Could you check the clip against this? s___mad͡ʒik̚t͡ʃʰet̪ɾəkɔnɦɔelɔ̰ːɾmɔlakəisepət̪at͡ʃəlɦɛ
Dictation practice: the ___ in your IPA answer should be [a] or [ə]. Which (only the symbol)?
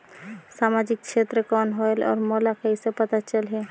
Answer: a